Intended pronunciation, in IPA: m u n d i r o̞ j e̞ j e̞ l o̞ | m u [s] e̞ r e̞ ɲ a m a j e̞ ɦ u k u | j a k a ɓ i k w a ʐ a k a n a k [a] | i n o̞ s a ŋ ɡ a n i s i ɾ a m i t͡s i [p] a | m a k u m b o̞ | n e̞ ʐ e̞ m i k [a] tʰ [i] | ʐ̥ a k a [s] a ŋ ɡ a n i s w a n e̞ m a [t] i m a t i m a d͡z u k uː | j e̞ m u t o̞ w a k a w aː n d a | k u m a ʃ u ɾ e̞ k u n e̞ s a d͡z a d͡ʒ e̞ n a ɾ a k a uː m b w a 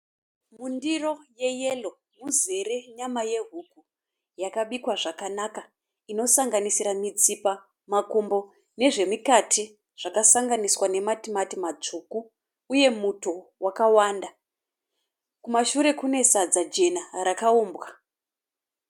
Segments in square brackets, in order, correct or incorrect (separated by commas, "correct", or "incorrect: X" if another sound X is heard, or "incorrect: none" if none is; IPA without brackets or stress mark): incorrect: z, correct, correct, correct, correct, correct, correct